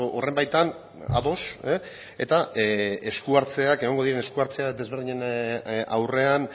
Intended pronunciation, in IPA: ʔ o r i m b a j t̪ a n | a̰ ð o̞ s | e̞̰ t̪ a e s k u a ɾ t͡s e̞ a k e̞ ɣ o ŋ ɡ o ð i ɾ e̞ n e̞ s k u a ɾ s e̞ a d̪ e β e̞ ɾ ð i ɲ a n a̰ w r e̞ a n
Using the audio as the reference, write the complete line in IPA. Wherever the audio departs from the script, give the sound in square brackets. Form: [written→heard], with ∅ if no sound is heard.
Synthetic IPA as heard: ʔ o r [i→e] m b a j t̪ a n | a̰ ð o̞ s | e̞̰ t̪ a e s k u a ɾ t͡s e̞ a k e̞ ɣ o ŋ ɡ o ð i ɾ e̞ n e̞ s k u a ɾ [s→t͡s] e̞ a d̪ e β e̞ ɾ ð i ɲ [a→e] n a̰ w r e̞ a n